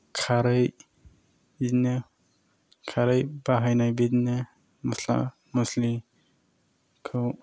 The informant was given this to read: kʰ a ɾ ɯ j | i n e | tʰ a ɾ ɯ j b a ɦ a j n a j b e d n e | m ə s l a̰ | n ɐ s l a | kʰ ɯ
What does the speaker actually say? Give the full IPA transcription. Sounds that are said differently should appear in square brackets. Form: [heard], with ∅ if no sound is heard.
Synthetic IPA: kʰ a ɾ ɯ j | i n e | [kʰ] a ɾ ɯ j b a ɦ a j n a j b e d n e | m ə s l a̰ | [m] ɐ s l [i] | kʰ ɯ